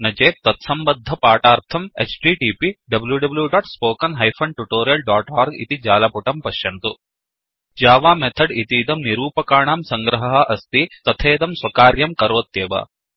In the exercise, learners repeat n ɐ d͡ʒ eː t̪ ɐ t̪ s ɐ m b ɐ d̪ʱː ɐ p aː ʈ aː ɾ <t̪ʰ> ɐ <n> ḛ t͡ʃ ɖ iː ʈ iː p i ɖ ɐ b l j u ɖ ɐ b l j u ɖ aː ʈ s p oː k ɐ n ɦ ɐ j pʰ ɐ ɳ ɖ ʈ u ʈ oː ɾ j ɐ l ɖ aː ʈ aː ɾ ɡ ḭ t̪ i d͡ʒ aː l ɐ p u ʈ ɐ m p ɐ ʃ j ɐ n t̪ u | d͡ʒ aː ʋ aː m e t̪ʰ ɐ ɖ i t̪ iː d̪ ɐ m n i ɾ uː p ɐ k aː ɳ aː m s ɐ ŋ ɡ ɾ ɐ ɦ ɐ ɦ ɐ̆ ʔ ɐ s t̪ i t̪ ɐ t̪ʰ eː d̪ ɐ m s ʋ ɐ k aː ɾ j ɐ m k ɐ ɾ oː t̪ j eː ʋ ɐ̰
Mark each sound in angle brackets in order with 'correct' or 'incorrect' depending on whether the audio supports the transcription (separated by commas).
correct, incorrect